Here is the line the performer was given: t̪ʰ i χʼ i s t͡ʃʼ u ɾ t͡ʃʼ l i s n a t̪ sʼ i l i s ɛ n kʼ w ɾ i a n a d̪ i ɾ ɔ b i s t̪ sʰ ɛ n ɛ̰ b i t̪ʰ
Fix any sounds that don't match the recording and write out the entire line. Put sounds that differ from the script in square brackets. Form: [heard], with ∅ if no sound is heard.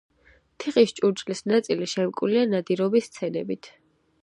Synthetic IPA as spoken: t̪ʰ i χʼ i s t͡ʃʼ u ɾ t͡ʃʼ l i s n a t̪ sʼ i l i [ʃ] ɛ [m] kʼ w [l] i a n a d̪ i ɾ ɔ b i s t̪ sʰ ɛ n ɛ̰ b i t̪ʰ